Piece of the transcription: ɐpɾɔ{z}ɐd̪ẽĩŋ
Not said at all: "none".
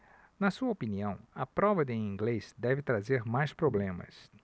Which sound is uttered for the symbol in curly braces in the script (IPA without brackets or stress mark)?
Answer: v